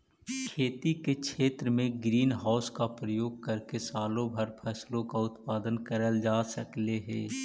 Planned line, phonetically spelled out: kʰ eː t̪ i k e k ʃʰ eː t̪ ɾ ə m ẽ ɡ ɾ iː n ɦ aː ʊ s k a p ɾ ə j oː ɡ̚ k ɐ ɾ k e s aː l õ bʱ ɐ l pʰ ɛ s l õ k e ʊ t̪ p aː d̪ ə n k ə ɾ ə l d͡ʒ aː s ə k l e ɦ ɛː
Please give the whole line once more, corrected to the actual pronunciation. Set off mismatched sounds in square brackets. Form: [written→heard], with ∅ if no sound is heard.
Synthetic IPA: kʰ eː t̪ i k e k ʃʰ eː t̪ ɾ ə m ẽ ɡ ɾ iː n ɦ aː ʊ s k a p ɾ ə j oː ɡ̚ k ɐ ɾ k e s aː l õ bʱ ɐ [l→ɾ] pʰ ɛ s l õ k [e→a] ʊ t̪ p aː d̪ ə n k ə ɾ ə l d͡ʒ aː s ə k l e ɦ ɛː

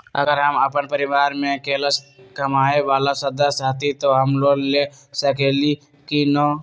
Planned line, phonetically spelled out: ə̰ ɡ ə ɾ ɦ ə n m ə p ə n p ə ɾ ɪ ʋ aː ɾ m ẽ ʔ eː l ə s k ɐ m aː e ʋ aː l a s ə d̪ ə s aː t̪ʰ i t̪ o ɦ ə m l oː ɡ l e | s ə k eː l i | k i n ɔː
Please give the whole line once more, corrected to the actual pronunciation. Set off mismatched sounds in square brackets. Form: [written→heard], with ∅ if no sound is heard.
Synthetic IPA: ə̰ ɡ ə ɾ ɦ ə [n→∅] m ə p ə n p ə ɾ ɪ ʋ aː ɾ m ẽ [ʔ→k] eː l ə s k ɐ m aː e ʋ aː l a s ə d̪ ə s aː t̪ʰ i t̪ o ɦ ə m l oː ɡ l e | s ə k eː l i | k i n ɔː

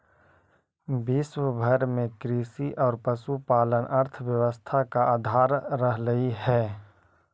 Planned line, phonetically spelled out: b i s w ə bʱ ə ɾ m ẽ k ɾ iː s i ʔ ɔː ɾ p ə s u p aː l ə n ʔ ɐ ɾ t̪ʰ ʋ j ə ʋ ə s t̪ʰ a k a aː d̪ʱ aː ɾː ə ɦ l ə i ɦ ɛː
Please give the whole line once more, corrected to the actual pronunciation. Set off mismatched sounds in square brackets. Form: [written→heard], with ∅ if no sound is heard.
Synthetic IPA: b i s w ə bʱ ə ɾ m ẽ k ɾ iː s i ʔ ɔː ɾ p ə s u p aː l ə n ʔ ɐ ɾ t̪ʰ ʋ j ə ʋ ə s t̪ʰ a k a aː d̪ʱ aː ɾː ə ɦ l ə i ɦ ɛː

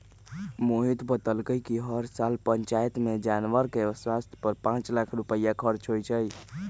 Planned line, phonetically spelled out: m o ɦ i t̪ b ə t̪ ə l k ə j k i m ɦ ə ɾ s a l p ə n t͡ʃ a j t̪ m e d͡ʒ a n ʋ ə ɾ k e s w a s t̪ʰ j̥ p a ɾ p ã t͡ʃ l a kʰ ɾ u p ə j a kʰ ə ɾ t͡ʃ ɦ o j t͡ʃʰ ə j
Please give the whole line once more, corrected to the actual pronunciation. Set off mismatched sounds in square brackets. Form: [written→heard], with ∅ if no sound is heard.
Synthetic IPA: m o ɦ i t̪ b ə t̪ ə l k ə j k i [m→∅] ɦ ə ɾ s a l p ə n t͡ʃ a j t̪ m e d͡ʒ a n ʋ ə ɾ k e s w a s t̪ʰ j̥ p [a→ə] ɾ p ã t͡ʃ l a kʰ ɾ u p ə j a kʰ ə ɾ t͡ʃ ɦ o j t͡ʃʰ ə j

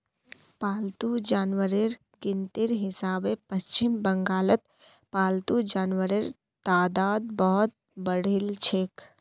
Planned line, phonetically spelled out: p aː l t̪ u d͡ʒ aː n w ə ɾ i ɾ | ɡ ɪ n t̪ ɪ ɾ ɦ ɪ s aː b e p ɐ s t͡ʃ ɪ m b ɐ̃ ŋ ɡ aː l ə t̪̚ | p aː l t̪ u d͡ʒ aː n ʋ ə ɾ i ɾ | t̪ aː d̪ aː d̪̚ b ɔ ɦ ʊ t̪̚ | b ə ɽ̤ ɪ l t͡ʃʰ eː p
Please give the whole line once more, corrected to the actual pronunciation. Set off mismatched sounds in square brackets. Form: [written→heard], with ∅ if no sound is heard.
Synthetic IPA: p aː l t̪ u d͡ʒ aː n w ə ɾ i ɾ | ɡ ɪ n t̪ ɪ ɾ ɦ ɪ s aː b e p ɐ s t͡ʃ ɪ m b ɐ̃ ŋ ɡ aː l ə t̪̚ | p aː l t̪ u d͡ʒ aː n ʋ ə ɾ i ɾ | t̪ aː d̪ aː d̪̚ b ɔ ɦ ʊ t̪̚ | b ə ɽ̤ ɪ l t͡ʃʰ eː [p→k]

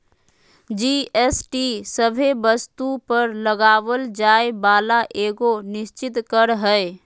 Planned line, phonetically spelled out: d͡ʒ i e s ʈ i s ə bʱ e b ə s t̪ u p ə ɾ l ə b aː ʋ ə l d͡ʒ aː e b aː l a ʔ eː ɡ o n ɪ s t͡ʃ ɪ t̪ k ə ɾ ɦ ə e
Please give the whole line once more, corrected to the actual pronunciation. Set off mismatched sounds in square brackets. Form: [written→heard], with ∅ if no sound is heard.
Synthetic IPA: d͡ʒ i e s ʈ i s ə bʱ e b ə s t̪ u p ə ɾ l ə [b→ɡ] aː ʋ ə l d͡ʒ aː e b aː l a ʔ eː ɡ o n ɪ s t͡ʃ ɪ t̪ k ə ɾ ɦ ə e

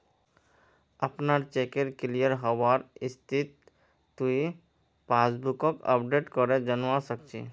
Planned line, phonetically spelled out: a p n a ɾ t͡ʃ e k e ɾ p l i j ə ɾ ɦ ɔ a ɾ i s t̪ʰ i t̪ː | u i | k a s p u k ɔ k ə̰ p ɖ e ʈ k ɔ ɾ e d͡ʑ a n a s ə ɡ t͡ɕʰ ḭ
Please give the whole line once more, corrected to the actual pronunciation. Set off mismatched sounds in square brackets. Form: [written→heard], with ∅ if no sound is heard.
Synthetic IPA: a p n a ɾ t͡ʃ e k e ɾ [p→k] l i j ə ɾ ɦ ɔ a ɾ i s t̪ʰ i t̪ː | u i | [k→p] a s [p→b] u k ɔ k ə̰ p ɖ e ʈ k ɔ ɾ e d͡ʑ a n a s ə [ɡ→k] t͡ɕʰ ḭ

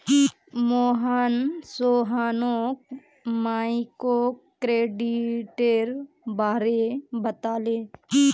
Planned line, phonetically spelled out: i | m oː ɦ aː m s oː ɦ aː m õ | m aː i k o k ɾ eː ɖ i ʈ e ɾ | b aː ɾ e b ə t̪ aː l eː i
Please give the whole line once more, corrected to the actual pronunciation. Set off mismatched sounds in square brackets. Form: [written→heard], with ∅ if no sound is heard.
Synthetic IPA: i | m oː ɦ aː [m→n] s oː ɦ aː [m→n] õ | m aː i k o k ɾ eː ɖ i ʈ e ɾ | b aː ɾ e b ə t̪ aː l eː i

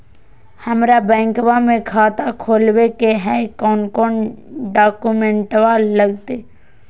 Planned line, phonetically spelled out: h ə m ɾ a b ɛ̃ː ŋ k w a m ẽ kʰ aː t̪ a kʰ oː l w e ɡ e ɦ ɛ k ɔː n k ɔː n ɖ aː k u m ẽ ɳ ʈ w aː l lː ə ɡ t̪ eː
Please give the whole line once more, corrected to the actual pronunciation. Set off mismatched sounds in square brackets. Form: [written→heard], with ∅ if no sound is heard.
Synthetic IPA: h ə m ɾ a b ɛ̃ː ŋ k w a m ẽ kʰ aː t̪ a kʰ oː l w e [ɡ→k] e ɦ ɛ k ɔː n k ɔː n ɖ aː k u m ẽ ɳ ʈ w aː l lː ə ɡ t̪ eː

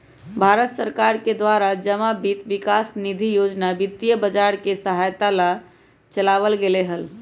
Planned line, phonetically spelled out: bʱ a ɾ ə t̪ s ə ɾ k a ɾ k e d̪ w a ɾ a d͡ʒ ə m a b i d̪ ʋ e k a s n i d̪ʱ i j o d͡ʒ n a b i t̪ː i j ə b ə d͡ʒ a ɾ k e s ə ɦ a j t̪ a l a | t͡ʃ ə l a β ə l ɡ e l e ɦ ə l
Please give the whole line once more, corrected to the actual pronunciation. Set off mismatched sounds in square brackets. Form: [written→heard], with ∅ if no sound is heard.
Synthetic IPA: bʱ a ɾ ə t̪ s ə ɾ k a ɾ k e d̪ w a ɾ a d͡ʒ ə m a b i [d̪→t̪] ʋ [e→i] k a s n i d̪ʱ i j o d͡ʒ n a b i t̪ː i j ə b ə d͡ʒ a ɾ k e s ə ɦ a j t̪ a l a | t͡ʃ ə l a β ə l ɡ e l e ɦ ə l

